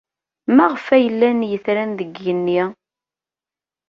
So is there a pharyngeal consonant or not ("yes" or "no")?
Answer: no